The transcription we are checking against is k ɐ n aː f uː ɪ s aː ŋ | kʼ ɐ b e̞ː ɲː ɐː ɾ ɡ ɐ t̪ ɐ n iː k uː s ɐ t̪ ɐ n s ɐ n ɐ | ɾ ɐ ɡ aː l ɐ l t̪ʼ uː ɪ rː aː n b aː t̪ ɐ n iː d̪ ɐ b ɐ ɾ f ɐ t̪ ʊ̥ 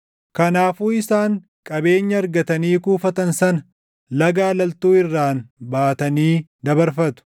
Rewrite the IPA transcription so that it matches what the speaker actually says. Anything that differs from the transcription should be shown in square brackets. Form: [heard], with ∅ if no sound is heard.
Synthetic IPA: k ɐ n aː f uː ɪ s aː ŋ | kʼ ɐ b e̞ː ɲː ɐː ɾ ɡ ɐ t̪ ɐ n iː k uː [f] ɐ t̪ ɐ n s ɐ n ɐ | [l] ɐ ɡ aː l ɐ l [t̪] uː ɪ rː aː n b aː t̪ ɐ n iː d̪ ɐ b ɐ ɾ f ɐ t̪ ʊ̥